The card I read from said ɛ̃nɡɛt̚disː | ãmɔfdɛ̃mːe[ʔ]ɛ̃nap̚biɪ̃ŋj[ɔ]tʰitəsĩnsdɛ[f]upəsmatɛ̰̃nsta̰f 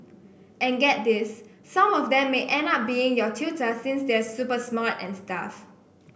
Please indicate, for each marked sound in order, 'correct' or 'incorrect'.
correct, correct, incorrect

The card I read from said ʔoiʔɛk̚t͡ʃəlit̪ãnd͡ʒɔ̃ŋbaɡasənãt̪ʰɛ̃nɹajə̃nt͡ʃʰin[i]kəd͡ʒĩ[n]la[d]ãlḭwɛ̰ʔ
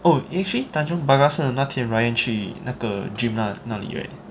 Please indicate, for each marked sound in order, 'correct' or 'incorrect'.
incorrect, incorrect, incorrect

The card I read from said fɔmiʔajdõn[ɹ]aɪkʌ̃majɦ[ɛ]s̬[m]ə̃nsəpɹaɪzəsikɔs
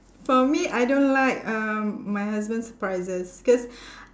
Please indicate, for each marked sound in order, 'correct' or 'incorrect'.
incorrect, incorrect, incorrect

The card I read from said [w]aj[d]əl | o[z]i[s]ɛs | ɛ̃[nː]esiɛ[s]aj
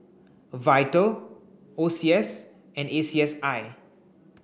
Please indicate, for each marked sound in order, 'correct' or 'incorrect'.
incorrect, incorrect, incorrect, incorrect, incorrect, correct

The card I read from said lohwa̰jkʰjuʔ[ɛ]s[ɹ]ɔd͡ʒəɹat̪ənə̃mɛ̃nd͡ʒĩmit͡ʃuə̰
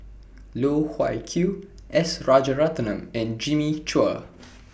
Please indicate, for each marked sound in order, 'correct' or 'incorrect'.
correct, correct

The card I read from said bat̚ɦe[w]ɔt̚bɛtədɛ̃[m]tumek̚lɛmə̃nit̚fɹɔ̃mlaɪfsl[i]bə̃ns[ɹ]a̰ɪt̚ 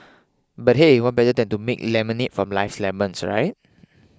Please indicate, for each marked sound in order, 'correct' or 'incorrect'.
correct, incorrect, incorrect, correct

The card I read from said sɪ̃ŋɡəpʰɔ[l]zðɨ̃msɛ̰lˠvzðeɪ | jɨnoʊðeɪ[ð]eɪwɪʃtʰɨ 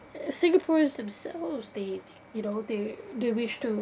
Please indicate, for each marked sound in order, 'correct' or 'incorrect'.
incorrect, correct

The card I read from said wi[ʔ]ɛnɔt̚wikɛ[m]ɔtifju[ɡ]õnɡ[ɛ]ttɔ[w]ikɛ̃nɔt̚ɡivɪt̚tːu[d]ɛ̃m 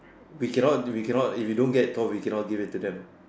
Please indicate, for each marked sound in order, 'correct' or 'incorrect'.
incorrect, incorrect, incorrect, correct, correct, correct

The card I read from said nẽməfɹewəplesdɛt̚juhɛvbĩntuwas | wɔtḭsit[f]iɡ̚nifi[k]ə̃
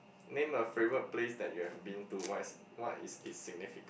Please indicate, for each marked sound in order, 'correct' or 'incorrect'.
incorrect, correct

